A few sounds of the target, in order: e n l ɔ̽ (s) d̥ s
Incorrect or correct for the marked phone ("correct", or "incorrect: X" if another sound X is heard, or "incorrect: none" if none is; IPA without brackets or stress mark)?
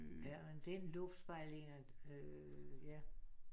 incorrect: f